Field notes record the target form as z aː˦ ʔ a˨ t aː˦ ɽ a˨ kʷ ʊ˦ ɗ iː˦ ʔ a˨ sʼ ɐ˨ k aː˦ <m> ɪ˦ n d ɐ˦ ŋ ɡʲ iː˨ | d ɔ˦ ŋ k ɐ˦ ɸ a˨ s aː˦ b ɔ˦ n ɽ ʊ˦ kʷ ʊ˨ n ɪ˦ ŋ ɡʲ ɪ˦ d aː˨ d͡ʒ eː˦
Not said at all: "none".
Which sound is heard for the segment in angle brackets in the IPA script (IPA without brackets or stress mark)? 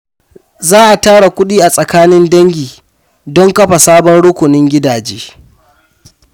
n